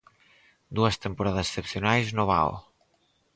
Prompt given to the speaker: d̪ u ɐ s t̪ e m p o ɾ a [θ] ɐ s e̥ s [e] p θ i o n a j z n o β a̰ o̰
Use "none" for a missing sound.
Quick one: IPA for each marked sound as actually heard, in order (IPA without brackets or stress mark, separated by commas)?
ð, e